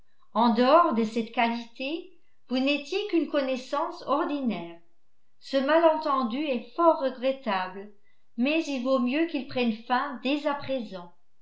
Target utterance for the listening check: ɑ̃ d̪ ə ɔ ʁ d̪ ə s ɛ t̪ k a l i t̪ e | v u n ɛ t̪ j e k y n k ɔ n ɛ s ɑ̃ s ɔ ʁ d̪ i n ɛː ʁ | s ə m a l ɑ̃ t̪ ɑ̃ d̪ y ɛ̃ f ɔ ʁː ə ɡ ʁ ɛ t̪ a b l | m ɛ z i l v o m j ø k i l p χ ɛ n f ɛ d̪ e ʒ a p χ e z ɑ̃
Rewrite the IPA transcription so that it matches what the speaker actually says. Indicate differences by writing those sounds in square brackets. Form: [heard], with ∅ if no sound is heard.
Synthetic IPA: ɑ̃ d̪ ə ɔ ʁ d̪ ə s ɛ t̪ k a l i t̪ e | v u n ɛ t̪ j e k y n k ɔ n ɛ s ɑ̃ s ɔ ʁ d̪ i n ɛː ʁ | s ə m a l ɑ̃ t̪ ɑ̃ d̪ y [ɛ] f ɔ ʁː ə ɡ ʁ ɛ t̪ a b l | m ɛ z i l v o m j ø k i l p χ ɛ n f [ɛ̃] d̪ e [z] a p χ e z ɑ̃